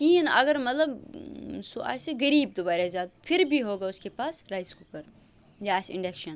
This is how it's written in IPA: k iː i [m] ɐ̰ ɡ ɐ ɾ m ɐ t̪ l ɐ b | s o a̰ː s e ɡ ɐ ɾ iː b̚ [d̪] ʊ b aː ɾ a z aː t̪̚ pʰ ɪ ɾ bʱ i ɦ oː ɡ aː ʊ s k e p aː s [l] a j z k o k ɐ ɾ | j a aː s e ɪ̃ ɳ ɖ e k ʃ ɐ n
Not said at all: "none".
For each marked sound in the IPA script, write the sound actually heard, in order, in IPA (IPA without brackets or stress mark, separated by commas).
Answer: n, d̪, ɾ